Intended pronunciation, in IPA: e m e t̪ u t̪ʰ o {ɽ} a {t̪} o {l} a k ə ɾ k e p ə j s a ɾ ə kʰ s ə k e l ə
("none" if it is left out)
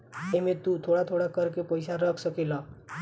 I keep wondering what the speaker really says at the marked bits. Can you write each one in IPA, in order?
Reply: ɽ, t̪ʰ, ɽ

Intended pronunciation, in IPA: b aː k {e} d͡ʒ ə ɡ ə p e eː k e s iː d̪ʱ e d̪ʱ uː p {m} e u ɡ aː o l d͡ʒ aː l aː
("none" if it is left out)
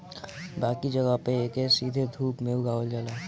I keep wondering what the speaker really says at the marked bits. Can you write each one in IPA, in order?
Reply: i, m

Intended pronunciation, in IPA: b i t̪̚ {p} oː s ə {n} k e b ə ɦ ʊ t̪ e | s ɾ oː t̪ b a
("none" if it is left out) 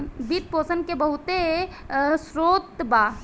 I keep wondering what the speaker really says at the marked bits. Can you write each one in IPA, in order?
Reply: p, n

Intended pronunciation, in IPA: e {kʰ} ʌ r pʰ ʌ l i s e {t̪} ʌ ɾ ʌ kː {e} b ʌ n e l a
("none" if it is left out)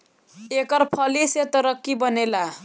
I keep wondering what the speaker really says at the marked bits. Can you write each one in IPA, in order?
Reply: k, t̪, i

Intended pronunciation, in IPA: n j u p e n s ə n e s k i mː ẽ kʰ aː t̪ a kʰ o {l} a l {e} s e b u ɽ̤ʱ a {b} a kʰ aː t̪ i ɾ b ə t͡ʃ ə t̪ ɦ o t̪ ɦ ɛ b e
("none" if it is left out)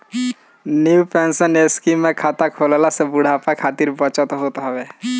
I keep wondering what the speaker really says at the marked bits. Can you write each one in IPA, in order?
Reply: l, a, p

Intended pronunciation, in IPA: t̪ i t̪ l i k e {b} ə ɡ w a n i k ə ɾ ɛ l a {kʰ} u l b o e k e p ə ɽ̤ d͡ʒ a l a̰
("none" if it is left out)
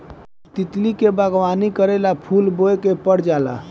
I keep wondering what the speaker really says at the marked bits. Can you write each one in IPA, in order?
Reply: b, pʰ

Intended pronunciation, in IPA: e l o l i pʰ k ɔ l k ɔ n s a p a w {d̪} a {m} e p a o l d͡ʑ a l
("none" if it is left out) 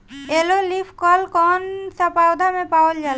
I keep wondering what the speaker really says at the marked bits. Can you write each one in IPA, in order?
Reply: d̪, m

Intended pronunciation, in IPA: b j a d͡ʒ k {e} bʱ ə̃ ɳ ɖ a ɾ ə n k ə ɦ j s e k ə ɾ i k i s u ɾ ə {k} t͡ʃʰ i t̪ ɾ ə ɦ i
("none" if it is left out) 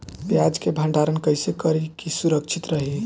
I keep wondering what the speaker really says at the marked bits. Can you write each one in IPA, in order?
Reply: e, k

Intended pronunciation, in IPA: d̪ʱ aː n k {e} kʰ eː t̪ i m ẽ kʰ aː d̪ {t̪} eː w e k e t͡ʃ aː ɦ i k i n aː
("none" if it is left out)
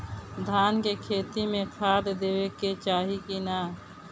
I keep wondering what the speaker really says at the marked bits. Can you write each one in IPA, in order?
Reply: e, d̪

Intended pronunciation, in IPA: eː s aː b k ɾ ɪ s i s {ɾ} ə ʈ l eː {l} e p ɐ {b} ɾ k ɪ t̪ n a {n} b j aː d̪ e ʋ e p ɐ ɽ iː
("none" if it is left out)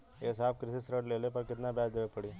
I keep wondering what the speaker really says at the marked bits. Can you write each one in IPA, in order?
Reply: ɾ, l, none, none

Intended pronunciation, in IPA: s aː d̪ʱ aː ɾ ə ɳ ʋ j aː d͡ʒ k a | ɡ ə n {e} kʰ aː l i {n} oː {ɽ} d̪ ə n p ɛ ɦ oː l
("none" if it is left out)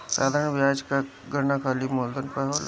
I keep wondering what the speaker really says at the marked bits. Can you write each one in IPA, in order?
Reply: a, m, l

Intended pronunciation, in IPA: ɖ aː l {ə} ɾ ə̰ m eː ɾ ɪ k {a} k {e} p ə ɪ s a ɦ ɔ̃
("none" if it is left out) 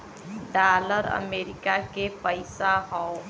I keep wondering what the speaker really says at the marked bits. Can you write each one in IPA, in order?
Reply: ə, a, e

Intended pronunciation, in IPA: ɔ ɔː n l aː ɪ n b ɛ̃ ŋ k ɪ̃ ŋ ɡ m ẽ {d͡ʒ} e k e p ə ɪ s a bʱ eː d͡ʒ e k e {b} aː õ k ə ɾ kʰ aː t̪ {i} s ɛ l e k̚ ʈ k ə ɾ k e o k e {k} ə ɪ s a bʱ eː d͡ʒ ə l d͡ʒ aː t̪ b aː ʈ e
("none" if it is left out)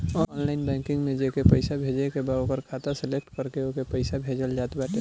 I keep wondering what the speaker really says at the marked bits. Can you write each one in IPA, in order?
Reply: d͡ʒ, b, a, p

